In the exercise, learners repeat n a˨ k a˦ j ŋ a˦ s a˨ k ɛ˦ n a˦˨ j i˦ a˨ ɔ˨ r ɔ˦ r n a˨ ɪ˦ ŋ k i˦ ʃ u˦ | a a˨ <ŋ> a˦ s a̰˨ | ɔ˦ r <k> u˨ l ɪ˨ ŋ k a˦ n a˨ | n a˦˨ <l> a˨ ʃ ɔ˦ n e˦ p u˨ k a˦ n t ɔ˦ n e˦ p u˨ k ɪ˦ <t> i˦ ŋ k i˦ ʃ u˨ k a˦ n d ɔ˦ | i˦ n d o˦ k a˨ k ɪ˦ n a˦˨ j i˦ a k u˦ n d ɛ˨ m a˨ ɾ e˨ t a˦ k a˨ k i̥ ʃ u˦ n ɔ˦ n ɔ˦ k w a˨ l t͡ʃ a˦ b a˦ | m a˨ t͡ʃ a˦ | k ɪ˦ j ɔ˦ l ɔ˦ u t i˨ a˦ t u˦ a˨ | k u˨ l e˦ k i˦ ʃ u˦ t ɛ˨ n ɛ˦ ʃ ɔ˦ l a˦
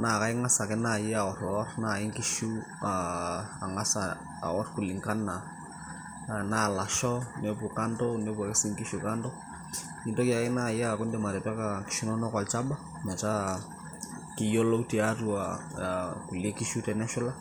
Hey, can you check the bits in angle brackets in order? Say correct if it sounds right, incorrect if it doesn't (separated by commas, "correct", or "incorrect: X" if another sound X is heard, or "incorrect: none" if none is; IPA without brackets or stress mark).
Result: correct, correct, correct, incorrect: s